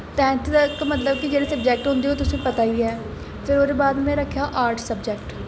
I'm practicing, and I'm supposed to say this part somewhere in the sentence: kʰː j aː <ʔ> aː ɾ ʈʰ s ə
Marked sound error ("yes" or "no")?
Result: no